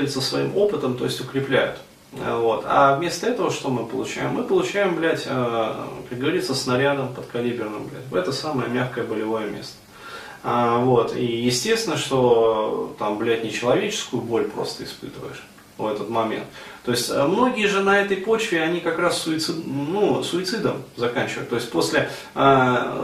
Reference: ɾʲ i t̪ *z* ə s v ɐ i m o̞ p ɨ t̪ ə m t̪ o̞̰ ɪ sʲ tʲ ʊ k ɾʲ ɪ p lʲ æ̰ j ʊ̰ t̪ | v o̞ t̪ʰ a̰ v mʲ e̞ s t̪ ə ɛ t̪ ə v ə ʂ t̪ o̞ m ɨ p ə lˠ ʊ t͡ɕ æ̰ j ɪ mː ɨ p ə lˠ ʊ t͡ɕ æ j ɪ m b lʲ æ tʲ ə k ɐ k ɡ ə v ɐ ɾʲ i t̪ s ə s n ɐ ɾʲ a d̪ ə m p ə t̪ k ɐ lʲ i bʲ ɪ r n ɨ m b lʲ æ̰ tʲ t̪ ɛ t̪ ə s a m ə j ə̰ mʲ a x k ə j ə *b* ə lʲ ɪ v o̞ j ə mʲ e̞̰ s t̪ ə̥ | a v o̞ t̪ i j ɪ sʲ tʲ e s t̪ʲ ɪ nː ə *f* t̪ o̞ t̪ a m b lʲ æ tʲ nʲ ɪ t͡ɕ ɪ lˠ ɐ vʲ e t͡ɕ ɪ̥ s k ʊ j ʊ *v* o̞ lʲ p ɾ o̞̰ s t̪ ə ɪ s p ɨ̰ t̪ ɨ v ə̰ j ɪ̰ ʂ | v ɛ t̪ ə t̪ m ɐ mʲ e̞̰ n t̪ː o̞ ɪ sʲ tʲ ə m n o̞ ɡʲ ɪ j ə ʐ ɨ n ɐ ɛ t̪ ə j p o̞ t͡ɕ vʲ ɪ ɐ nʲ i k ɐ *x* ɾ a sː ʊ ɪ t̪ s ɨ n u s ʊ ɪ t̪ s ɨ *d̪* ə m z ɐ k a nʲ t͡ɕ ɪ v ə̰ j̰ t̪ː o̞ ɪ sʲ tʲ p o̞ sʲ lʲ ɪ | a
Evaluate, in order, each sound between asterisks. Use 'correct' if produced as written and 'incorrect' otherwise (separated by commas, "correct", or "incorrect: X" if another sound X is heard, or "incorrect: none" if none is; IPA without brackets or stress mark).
incorrect: s, correct, incorrect: ʂ, incorrect: b, incorrect: k, correct